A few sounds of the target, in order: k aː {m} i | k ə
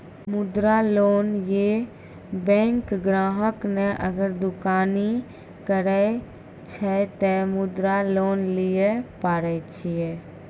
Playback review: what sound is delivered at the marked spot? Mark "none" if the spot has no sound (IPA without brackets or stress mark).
n